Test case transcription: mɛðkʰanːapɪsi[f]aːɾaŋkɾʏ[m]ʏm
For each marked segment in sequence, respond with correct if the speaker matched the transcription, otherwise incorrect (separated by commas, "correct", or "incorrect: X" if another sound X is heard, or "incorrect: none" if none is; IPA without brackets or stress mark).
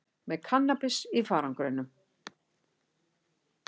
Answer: correct, incorrect: n